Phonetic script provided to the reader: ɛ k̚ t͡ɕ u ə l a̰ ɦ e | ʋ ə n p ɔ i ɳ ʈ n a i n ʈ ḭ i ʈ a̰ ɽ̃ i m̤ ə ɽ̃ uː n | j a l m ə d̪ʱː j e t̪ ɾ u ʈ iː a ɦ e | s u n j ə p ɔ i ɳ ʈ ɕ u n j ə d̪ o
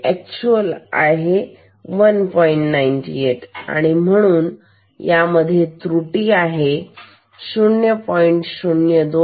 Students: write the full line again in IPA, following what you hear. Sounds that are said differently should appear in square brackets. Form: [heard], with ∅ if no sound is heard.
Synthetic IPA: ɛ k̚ t͡ɕ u ə l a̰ ɦ e | ʋ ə n p ɔ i ɳ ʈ n a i n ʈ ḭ [e] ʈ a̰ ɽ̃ i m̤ ə ɽ̃ uː n | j a [∅] m ə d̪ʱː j e t̪ ɾ u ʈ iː a ɦ e | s u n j ə p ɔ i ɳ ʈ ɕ u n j ə d̪ o